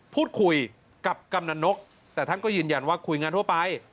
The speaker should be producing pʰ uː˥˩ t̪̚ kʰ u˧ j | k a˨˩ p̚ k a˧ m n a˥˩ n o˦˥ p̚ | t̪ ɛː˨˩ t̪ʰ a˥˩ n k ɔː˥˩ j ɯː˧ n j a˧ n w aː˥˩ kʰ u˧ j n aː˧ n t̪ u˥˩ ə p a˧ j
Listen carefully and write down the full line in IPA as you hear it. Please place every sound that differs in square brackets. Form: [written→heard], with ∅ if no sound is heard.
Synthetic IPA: pʰ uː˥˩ t̪̚ kʰ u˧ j | k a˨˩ p̚ k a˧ m n [a˥˩→a˧] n o˦˥ [p̚→k̚] | t̪ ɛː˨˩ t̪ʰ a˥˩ n k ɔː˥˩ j ɯː˧ n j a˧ n w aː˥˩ kʰ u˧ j [n→ŋ] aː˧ n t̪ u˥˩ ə p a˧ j

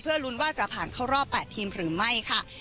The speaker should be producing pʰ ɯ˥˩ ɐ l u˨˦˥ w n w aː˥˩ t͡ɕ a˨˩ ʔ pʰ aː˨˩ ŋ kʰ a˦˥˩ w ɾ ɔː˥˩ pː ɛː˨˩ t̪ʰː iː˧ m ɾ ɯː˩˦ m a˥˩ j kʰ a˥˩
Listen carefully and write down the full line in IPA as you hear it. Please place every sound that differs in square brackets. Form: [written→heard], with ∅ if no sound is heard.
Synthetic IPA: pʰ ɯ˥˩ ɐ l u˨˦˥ [w→∅] n w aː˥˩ t͡ɕ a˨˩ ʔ pʰ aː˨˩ [ŋ→n] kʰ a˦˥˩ w ɾ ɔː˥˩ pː ɛː˨˩ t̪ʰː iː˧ m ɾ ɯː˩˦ m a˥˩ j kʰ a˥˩

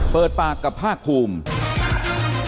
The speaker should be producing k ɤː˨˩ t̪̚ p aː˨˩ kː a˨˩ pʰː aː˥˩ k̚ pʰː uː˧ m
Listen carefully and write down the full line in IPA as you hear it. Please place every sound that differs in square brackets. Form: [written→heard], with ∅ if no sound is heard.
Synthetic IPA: [k→p] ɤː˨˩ t̪̚ p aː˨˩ kː a˨˩ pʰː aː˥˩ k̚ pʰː uː˧ m

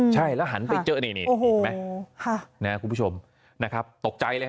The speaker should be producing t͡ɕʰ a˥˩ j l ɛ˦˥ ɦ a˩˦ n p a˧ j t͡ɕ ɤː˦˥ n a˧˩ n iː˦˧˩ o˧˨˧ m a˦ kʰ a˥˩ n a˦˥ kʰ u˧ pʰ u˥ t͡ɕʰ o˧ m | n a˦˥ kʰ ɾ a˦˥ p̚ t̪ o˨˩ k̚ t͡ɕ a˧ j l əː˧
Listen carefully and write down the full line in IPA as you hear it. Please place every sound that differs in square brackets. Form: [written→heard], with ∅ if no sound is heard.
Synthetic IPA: t͡ɕʰ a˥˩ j l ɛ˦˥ ɦ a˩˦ n p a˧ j t͡ɕ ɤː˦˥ n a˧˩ n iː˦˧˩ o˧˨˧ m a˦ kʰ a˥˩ n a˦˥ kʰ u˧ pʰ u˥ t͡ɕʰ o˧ m | n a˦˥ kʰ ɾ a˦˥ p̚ t̪ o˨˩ k̚ t͡ɕ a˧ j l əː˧

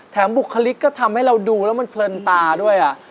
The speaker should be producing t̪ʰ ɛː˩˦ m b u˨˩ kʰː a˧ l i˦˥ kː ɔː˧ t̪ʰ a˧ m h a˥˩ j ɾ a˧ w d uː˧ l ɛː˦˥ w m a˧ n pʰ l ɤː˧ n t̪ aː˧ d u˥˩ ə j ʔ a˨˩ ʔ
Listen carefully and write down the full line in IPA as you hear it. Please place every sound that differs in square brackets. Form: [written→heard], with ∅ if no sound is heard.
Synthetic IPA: t̪ʰ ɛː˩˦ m b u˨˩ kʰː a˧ l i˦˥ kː [ɔː˧→ɔː˥˩] t̪ʰ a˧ m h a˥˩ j ɾ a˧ w d uː˧ l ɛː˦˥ w m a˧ n pʰ l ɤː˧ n t̪ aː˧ d u˥˩ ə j ʔ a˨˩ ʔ

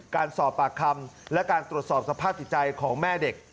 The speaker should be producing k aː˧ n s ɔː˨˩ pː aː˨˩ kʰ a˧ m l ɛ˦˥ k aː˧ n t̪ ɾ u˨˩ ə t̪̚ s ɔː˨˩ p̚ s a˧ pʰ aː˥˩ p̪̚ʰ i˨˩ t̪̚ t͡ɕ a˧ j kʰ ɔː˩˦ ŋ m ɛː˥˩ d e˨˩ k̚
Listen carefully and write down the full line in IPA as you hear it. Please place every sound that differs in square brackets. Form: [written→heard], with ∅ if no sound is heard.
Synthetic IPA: k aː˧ n s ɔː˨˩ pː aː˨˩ kʰ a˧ m l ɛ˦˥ k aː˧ n t̪ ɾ u˨˩ ə t̪̚ s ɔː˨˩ p̚ s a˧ pʰ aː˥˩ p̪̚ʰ i˨˩ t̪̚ t͡ɕ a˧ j kʰ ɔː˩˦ ŋ m ɛː˥˩ d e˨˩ k̚

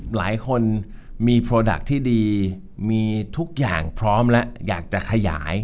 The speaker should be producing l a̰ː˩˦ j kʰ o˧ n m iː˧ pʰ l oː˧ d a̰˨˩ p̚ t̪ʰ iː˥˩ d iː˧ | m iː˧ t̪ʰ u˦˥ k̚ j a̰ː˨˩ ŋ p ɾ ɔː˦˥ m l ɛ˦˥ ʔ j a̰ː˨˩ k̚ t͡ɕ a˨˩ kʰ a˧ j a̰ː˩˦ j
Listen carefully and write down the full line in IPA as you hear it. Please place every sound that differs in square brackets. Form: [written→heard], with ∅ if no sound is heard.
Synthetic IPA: l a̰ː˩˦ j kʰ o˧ n m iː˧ pʰ [l→ɾ] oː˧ d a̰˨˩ [p̚→k̚] t̪ʰ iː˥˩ d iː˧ | m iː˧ t̪ʰ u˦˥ k̚ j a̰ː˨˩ ŋ [p→pʰ] ɾ ɔː˦˥ m l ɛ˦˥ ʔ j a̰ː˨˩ k̚ t͡ɕ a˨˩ kʰ a˧ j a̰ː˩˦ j

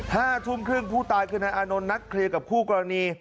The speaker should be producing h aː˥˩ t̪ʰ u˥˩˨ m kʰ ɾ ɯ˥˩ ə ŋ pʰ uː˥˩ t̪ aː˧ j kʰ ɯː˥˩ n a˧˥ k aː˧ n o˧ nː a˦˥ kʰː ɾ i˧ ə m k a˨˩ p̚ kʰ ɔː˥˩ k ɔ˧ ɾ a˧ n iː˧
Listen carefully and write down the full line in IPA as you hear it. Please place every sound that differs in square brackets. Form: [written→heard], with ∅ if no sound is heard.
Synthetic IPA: h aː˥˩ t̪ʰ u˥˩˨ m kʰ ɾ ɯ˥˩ ə ŋ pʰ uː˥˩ t̪ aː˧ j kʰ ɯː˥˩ n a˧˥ [k→ʔ] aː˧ n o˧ nː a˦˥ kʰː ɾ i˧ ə [m→∅] k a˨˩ p̚ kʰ [ɔː˥˩→uː˥˩] k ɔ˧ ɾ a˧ n iː˧

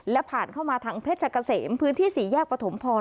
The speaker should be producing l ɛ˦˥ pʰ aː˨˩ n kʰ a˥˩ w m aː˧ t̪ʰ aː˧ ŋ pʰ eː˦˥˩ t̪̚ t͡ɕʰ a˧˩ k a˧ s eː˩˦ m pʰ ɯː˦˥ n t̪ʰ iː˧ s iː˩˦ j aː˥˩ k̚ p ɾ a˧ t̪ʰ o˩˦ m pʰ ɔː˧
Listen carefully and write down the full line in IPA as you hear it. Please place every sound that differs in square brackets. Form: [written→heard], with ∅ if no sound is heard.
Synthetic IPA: l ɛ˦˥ pʰ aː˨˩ n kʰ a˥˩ w m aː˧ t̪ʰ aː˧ ŋ pʰ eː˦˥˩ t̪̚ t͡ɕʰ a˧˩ k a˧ s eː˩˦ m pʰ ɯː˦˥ n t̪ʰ [iː˧→iː˥˩] s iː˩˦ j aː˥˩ k̚ p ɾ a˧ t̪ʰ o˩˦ m pʰ ɔː˧

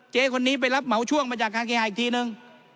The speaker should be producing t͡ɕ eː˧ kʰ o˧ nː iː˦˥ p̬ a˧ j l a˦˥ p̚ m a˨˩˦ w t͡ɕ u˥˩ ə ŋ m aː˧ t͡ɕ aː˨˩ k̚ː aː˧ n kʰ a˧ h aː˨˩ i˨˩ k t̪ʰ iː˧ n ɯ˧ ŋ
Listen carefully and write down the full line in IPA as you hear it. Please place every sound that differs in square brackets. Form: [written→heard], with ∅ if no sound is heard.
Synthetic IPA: t͡ɕ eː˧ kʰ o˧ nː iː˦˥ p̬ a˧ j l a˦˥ p̚ m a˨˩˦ w [t͡ɕ→t͡ɕʰ] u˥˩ ə ŋ m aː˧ t͡ɕ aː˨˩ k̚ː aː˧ n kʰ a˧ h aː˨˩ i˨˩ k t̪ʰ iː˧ n ɯ˧ ŋ

